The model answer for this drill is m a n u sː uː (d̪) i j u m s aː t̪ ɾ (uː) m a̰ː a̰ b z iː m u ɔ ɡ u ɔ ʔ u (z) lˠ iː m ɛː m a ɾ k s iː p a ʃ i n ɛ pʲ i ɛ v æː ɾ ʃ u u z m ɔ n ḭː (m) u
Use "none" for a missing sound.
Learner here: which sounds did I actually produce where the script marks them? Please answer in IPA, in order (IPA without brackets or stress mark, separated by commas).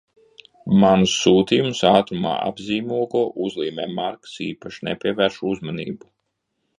t̪, u, z, b